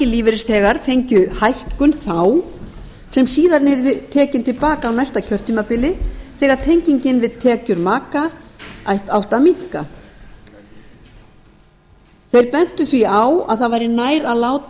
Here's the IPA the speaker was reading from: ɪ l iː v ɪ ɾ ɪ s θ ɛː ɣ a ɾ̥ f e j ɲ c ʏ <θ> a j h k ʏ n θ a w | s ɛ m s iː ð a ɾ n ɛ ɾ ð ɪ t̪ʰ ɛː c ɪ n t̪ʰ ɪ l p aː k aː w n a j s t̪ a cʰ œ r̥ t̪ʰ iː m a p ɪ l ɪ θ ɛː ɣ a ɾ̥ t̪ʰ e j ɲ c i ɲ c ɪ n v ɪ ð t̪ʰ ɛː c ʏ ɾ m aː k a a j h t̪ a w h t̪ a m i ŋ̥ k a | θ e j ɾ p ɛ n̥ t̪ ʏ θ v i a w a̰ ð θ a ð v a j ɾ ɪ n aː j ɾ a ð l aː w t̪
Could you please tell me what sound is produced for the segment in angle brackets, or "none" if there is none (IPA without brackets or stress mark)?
h